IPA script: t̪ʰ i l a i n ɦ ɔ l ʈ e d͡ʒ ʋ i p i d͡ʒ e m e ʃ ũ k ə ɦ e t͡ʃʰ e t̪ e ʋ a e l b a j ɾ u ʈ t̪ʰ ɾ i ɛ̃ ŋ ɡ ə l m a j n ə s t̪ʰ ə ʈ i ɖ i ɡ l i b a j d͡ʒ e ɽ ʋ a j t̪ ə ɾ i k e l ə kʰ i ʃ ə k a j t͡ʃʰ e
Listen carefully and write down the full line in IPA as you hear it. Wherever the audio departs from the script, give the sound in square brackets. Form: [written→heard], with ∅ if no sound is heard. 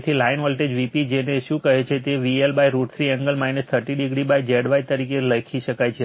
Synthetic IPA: t̪ʰ i l a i n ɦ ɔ l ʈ e d͡ʒ ʋ i p i d͡ʒ e [m→n] e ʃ ũ k ə ɦ e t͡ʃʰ e t̪ e ʋ [a→i] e l b a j ɾ u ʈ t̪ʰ ɾ i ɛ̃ ŋ ɡ ə l m a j n ə s t̪ʰ ə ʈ i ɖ i ɡ [l→ɽ] i b a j d͡ʒ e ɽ ʋ a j t̪ ə ɾ i k e l ə kʰ i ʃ ə k a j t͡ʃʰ e